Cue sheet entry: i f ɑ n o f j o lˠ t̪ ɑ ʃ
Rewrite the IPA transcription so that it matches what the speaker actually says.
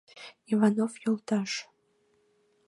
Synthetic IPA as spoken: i v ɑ n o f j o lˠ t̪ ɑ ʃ